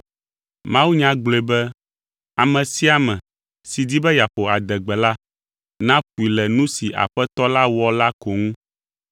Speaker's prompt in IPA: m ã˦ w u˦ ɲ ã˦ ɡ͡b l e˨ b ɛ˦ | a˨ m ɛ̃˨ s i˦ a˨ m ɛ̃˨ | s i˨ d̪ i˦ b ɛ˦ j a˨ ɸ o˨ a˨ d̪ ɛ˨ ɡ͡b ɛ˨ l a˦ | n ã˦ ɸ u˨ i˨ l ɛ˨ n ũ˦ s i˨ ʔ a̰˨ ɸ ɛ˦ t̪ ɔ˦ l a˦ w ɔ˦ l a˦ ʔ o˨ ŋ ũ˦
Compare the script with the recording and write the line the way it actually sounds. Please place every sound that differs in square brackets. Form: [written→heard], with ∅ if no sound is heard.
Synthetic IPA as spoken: m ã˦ w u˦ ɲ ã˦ ɡ͡b l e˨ b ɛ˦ | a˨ m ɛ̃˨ s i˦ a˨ m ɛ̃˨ | s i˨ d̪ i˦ b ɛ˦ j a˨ ɸ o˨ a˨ d̪ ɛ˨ ɡ͡b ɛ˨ l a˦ | n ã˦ ɸ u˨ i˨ l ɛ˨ n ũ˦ s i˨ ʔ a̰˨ ɸ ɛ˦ t̪ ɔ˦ l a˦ w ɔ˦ l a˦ [ʔ→k] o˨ ŋ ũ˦